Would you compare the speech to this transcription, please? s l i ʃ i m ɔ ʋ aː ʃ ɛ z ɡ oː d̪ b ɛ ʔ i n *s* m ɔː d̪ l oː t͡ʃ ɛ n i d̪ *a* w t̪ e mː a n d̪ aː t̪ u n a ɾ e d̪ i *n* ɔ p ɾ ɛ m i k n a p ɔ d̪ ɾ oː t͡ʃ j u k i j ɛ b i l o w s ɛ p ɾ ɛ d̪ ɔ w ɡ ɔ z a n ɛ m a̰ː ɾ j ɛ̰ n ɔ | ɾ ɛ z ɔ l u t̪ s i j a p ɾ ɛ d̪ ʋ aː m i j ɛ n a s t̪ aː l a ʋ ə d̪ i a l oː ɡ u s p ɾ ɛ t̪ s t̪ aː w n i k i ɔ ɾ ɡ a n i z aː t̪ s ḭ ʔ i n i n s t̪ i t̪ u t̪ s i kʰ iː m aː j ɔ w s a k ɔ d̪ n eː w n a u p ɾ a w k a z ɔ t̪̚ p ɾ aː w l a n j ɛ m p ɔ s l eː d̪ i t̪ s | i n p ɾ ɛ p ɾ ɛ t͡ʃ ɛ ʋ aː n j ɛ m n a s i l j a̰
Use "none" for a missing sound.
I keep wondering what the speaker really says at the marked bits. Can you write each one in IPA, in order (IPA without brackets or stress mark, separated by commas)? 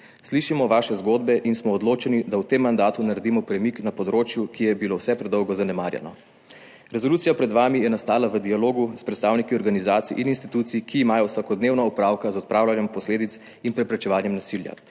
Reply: s, a, m